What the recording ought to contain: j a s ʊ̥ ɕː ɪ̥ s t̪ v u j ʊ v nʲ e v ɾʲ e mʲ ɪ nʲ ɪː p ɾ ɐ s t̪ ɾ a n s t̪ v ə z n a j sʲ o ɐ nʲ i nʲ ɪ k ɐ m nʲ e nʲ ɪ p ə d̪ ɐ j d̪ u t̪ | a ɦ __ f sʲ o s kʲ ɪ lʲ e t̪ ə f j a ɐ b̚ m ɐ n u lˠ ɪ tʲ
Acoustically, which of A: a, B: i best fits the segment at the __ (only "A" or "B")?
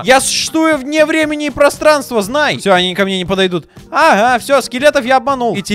A